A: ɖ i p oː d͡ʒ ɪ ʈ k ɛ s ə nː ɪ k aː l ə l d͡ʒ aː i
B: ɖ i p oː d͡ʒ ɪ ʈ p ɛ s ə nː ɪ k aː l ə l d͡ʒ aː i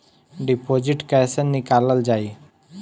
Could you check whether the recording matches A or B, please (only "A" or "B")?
A